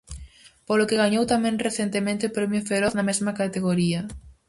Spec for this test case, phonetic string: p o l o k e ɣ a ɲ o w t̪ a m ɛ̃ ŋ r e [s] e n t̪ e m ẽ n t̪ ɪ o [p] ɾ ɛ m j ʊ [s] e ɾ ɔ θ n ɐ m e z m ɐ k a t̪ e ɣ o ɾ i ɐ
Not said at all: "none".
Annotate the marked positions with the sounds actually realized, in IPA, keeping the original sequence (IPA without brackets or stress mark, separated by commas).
θ, p, f